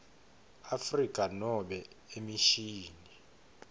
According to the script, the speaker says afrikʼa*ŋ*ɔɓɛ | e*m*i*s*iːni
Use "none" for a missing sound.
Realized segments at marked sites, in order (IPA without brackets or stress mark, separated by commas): n, m, ʃ